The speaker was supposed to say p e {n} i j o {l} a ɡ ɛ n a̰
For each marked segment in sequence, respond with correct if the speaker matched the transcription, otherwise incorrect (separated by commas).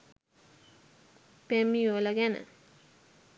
incorrect, correct